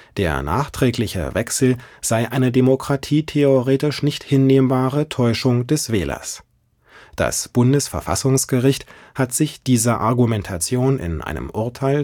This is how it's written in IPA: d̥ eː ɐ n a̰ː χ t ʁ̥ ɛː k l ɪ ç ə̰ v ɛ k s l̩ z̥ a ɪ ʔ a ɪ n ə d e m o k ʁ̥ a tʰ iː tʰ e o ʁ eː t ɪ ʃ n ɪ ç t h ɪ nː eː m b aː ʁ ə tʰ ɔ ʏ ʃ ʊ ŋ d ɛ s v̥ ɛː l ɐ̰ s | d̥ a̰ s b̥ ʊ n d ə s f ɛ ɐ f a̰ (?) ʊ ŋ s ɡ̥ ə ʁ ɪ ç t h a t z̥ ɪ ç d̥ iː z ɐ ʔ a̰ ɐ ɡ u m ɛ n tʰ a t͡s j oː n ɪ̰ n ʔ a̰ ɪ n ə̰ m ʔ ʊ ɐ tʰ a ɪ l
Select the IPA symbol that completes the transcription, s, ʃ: s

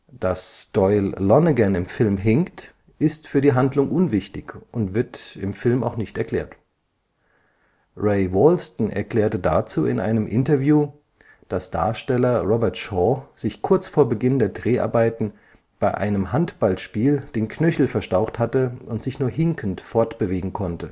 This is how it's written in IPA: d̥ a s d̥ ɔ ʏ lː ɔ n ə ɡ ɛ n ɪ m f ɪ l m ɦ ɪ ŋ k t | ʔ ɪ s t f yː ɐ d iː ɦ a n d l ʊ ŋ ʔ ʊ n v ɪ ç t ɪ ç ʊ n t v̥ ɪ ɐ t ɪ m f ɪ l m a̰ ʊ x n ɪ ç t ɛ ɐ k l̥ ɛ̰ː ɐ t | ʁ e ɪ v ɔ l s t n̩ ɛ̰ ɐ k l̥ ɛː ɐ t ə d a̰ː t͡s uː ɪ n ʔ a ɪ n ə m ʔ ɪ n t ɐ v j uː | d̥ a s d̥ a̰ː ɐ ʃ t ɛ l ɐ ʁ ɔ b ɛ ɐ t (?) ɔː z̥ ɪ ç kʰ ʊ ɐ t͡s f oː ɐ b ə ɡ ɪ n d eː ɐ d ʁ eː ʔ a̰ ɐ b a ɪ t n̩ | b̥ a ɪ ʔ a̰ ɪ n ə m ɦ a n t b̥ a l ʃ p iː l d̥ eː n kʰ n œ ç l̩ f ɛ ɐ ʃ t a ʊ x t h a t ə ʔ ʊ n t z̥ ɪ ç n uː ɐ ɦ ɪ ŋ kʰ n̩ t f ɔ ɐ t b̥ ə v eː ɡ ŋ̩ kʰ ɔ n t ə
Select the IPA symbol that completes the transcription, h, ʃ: ʃ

